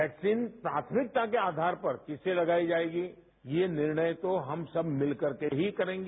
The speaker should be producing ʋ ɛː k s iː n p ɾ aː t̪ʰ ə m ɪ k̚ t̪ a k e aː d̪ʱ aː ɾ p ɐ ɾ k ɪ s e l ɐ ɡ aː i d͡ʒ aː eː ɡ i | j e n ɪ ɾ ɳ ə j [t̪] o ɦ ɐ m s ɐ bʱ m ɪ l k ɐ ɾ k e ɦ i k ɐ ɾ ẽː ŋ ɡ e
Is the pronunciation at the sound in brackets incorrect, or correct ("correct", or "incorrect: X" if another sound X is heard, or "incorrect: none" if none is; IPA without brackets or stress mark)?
correct